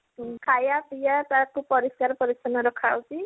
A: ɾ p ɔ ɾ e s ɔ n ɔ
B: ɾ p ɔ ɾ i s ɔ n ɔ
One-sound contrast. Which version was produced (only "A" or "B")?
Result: B